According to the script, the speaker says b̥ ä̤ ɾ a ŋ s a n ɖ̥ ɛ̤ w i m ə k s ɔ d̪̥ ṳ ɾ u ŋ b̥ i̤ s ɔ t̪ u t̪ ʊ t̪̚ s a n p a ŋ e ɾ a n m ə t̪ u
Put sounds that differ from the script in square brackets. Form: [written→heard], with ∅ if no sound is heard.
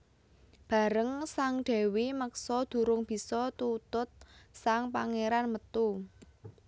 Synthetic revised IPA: b̥ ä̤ ɾ [a→ə] ŋ s a [n→ŋ] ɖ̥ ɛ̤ w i m ə k s ɔ d̪̥ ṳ ɾ [u→ʊ] ŋ b̥ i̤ s ɔ t̪ u t̪ ʊ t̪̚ s a [n→ŋ] p a ŋ e ɾ a n m ə t̪ u